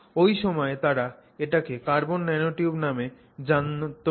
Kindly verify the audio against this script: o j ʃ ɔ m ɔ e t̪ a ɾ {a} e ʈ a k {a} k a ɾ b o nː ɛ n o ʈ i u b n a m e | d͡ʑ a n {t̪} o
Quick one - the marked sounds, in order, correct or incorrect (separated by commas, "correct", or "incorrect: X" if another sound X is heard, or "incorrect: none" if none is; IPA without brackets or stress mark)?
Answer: correct, incorrect: e, correct